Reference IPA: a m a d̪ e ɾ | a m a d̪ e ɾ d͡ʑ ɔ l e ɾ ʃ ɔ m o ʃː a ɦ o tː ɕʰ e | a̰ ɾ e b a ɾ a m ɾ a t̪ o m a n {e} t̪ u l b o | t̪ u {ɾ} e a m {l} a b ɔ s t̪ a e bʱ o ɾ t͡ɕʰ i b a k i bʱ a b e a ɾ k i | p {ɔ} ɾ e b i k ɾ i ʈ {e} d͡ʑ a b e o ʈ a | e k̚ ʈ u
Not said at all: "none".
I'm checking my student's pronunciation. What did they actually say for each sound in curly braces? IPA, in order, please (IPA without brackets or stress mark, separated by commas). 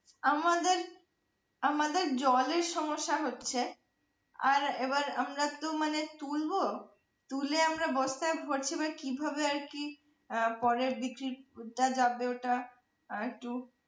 e, l, ɾ, ɔ, a